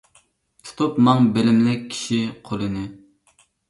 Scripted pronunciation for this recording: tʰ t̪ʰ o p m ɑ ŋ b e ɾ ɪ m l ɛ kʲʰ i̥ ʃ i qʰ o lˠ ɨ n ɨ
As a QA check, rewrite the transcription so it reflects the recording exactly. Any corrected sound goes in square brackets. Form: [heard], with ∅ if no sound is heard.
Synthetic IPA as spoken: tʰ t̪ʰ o p m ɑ ŋ b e [l] ɪ m l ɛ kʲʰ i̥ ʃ i qʰ o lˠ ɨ n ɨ